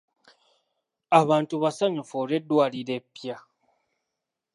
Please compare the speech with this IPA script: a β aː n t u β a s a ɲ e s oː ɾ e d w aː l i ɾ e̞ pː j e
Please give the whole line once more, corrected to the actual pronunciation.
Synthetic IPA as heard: a β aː n t u β a s a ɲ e f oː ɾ e d w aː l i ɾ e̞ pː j a